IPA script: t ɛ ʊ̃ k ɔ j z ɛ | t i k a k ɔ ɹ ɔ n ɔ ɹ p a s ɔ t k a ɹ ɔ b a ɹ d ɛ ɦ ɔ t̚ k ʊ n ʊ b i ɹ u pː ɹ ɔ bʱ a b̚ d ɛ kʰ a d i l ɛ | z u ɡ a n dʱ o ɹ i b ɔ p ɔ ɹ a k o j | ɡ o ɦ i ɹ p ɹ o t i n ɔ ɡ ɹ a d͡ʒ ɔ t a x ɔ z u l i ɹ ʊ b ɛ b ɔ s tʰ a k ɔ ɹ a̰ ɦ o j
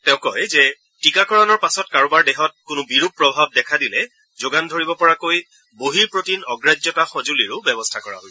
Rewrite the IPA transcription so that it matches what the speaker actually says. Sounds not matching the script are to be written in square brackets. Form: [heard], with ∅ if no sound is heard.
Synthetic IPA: t ɛ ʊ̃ k ɔ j z ɛ | t i k a k ɔ ɹ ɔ n ɔ ɹ p a s ɔ t k a ɹ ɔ b a ɹ d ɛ ɦ ɔ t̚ k ʊ n ʊ b i ɹ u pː ɹ ɔ bʱ a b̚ d ɛ kʰ a d i l ɛ | z [o] ɡ a n dʱ o ɹ i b ɔ p ɔ ɹ a k o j | [b] o ɦ i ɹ p ɹ o t i n ɔ ɡ ɹ a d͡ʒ ɔ t a x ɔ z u l i ɹ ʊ b ɛ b ɔ s tʰ a k ɔ ɹ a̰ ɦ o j

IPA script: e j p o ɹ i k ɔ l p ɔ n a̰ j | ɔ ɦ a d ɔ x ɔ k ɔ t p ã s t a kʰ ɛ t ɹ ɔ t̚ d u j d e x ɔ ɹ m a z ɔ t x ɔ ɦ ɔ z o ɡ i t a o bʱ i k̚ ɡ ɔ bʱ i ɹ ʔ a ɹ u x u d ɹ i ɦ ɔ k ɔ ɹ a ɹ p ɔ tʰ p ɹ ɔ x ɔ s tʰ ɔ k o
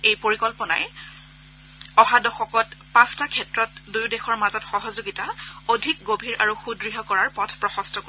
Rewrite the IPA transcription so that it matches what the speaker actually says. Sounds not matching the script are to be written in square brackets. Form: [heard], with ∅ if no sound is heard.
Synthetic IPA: e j p o ɹ i k ɔ l p ɔ n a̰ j | ɔ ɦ a d ɔ x ɔ k ɔ t p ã s t a kʰ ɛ t ɹ ɔ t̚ d u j d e x ɔ ɹ m a z ɔ t x ɔ ɦ ɔ z o ɡ i t a o [dʱ] i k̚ ɡ [o] bʱ i ɹ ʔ a ɹ u x u d ɹ i ɦ ɔ k ɔ ɹ a ɹ p ɔ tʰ p ɹ ɔ x ɔ s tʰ ɔ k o

